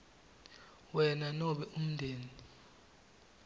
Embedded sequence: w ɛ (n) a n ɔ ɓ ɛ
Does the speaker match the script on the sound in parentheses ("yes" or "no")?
yes